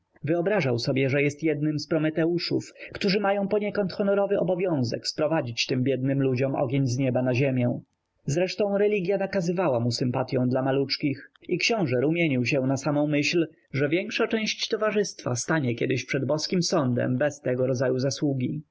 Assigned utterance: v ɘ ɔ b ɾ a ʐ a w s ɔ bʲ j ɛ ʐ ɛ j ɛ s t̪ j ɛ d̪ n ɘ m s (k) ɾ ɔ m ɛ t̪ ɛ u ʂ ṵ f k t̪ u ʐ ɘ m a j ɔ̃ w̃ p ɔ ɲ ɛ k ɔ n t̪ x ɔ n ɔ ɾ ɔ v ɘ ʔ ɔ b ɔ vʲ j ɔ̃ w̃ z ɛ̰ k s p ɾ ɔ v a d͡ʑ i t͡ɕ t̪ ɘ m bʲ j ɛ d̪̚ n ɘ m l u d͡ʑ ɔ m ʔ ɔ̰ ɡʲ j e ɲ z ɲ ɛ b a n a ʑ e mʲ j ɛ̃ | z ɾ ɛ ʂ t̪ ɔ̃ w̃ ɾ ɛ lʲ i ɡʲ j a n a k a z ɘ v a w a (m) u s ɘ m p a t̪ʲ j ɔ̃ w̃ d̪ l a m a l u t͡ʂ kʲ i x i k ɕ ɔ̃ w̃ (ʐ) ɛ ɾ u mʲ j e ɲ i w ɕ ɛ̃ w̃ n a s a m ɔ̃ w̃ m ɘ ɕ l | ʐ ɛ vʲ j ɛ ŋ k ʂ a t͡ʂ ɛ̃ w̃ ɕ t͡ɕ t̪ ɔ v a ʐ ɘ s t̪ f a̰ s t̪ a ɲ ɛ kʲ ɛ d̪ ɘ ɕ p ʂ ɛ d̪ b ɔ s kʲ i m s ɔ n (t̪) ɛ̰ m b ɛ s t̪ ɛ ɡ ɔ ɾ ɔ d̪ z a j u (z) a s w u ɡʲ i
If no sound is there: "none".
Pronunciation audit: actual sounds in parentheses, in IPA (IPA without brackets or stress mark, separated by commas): p, m, ʐ, d̪, z